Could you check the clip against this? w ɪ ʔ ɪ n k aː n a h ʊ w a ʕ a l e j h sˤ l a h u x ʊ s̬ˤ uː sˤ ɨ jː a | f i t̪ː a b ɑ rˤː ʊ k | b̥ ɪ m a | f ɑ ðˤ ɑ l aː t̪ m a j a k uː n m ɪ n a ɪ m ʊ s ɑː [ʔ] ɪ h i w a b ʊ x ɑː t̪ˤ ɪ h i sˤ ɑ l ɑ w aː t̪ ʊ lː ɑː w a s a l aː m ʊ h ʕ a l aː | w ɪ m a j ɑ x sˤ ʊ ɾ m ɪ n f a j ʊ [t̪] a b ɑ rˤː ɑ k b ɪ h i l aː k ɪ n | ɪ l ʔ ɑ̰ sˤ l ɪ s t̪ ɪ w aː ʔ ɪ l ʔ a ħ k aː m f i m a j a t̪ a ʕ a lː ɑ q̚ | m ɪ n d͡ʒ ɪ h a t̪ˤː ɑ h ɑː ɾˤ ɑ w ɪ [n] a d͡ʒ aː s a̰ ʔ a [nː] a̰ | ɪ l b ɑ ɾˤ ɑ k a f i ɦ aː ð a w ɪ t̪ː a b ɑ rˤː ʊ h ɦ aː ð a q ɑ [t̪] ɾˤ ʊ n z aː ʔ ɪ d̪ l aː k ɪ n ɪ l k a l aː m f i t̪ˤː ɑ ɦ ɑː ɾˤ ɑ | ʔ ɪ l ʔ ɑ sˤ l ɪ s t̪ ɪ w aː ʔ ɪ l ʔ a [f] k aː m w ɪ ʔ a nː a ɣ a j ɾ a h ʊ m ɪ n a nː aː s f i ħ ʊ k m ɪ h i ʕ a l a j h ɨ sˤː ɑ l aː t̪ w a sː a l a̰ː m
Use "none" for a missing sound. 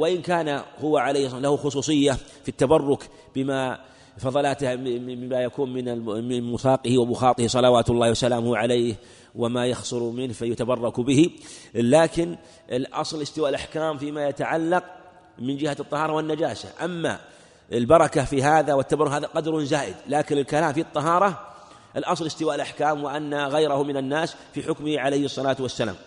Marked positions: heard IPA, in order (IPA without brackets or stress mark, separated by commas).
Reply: q, t̪, nː, mː, d̪, ħ